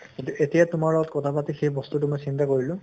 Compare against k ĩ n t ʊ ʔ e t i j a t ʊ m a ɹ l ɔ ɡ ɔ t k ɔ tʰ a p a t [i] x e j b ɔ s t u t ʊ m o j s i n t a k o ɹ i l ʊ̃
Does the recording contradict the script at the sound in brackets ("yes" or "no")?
no